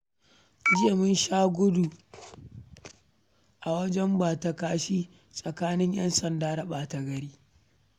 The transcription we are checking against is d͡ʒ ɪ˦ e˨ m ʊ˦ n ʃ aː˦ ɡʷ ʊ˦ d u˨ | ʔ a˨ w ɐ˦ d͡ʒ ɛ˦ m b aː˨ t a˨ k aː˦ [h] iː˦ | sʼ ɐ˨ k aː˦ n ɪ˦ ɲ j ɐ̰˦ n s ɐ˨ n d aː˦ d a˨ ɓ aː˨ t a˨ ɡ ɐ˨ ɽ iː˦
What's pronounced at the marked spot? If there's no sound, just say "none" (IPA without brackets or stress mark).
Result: ʃ